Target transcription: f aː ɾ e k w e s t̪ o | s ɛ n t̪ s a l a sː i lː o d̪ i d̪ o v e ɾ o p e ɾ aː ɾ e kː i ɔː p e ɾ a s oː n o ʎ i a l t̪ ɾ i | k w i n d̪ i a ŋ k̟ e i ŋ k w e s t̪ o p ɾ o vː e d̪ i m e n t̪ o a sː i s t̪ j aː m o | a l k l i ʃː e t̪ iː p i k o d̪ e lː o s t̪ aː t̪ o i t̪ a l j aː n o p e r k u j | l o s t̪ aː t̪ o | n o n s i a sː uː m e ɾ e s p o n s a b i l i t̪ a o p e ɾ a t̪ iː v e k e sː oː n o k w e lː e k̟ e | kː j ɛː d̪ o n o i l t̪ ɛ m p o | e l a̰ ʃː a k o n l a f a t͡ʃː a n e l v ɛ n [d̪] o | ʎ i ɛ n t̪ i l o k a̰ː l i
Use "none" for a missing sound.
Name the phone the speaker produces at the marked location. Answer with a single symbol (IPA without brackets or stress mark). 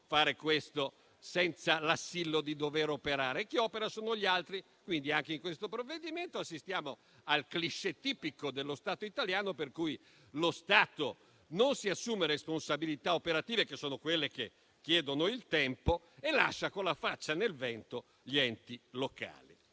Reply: t̪